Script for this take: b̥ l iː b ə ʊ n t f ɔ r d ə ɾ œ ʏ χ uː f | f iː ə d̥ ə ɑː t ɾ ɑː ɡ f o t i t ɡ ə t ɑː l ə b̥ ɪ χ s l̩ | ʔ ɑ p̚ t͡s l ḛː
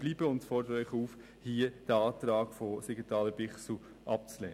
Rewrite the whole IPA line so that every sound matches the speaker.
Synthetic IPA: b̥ l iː b ə ʊ n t f ɔ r d ə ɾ œ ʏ χ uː f | h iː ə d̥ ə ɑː t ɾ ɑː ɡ f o s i ɡ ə t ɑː l ə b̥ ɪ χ s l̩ | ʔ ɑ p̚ t͡s l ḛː